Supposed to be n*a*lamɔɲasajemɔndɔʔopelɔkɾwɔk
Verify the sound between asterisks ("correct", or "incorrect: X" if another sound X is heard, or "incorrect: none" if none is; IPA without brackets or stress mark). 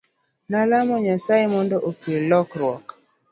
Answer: correct